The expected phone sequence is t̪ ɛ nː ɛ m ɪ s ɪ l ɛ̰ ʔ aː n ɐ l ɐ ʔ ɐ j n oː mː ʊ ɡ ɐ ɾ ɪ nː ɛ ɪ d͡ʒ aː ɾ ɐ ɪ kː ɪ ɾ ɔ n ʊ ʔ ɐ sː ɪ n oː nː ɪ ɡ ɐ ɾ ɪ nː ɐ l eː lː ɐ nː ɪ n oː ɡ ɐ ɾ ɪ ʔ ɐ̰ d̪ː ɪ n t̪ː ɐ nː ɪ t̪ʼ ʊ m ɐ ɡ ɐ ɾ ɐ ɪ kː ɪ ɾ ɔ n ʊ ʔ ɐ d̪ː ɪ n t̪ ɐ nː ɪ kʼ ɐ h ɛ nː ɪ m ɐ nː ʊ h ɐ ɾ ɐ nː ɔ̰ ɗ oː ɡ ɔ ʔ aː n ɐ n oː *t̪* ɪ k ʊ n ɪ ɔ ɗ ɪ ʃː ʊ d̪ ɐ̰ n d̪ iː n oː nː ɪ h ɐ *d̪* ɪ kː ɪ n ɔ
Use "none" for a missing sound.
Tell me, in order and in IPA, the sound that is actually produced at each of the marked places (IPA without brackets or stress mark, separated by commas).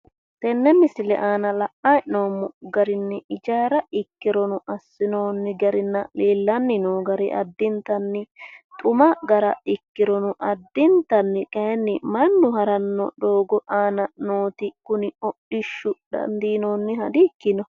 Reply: t̪, d̪